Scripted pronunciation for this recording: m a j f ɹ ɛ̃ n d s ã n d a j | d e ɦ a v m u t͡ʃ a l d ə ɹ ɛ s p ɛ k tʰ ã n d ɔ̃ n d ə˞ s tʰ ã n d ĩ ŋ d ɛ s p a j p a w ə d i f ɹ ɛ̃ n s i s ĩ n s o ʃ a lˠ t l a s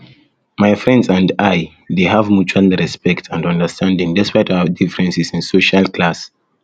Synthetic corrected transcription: m a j f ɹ ɛ̃ n d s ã n d a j | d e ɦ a v m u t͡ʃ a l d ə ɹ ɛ s p ɛ k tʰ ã n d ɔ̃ n d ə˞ s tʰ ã n d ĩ ŋ d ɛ s p a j t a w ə d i f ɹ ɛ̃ n s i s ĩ n s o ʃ a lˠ k l a s